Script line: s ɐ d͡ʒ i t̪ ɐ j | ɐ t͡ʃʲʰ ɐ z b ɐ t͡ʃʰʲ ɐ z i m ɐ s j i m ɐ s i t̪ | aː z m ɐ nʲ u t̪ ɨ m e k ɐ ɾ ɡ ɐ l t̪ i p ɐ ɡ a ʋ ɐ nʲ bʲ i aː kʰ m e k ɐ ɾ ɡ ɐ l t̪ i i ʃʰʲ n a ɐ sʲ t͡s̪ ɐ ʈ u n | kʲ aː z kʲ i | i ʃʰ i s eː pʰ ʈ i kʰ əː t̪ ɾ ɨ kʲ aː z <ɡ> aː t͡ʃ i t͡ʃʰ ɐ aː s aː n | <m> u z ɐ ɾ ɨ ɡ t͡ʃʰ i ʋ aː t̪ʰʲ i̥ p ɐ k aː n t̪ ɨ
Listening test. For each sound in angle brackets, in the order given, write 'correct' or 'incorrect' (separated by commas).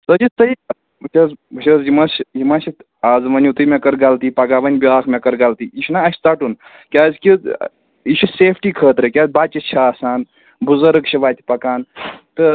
incorrect, incorrect